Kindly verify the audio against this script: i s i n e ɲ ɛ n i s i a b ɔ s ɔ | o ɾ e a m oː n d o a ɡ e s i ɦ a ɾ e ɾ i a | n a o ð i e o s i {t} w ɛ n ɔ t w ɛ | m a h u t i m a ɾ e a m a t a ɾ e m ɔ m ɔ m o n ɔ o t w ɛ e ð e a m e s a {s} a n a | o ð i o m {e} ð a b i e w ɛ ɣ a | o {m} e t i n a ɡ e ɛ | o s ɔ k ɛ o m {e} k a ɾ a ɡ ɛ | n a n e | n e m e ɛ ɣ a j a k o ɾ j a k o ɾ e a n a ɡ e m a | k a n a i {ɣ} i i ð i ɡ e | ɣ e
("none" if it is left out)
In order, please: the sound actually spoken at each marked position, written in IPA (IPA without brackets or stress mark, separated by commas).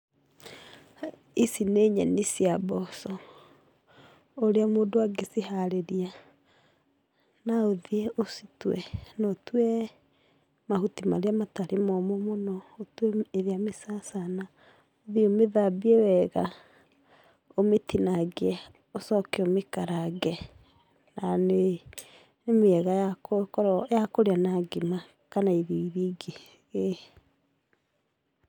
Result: t, s, e, m, e, ð